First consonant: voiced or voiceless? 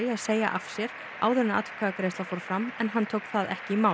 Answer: voiced